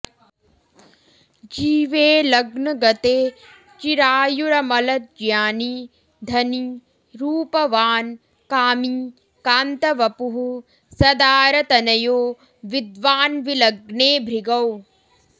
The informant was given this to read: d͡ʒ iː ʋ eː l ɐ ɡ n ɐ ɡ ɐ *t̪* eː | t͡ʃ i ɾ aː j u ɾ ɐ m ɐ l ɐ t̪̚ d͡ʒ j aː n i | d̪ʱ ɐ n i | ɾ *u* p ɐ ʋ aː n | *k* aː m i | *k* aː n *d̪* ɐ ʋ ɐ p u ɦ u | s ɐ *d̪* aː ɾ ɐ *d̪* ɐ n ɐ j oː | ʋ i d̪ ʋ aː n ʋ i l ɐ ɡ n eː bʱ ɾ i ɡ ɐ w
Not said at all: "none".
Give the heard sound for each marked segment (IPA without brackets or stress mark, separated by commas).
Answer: t̪, uː, k, k, t̪, d̪, t̪